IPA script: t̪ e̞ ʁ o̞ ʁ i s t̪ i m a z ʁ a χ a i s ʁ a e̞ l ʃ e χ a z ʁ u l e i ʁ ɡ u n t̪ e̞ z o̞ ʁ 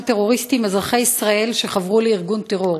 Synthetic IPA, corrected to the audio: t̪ e̞ ʁ o̞ ʁ i s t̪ i m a z ʁ a χ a i s ʁ a e̞ l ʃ e χ a v ʁ u l e i ʁ ɡ u n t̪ e̞ ʁ o̞ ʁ